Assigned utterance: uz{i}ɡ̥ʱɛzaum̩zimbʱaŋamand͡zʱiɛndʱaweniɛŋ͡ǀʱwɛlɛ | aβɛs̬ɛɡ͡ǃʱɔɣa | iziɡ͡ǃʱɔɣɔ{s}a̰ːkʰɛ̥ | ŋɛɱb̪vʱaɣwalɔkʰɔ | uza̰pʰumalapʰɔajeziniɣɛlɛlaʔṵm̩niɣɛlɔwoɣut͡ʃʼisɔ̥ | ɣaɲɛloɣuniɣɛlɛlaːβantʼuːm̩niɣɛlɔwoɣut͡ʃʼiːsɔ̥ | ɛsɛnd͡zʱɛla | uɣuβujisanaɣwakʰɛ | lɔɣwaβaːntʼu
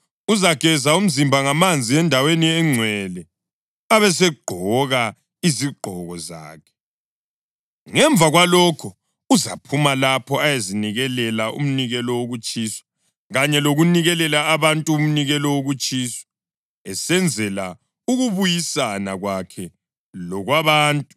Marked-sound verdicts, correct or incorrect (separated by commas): incorrect, incorrect